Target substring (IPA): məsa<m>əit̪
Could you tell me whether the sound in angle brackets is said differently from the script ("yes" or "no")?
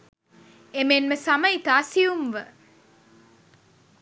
no